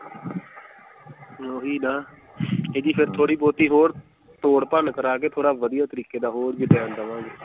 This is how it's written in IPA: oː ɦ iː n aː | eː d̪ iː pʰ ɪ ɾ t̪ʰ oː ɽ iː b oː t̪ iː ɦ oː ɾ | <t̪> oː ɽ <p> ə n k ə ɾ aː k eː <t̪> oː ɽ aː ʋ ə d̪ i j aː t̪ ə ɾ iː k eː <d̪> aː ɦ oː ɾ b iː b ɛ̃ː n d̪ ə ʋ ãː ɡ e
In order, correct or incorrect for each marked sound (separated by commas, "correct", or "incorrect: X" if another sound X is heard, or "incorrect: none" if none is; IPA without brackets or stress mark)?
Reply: correct, correct, incorrect: t̪ʰ, correct